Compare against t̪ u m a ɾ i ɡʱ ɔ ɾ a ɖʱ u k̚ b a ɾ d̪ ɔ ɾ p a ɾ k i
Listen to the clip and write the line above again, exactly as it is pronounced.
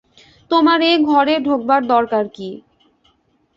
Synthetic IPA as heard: t̪ o m a ɾ e ɡʱ ɔ ɾ e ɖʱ o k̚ b a ɾ d̪ ɔ ɾ k a ɾ k i